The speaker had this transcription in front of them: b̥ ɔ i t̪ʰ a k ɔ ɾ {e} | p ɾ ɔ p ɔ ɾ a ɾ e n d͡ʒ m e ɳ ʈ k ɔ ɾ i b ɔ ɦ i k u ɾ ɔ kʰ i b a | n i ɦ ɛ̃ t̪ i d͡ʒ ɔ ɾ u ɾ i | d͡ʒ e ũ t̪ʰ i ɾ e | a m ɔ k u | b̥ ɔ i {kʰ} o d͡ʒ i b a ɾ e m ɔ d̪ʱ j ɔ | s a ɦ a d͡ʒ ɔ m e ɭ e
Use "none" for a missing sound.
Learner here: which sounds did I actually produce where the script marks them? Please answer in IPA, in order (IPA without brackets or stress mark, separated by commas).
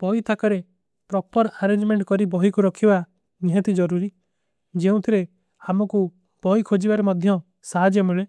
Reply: e, kʰ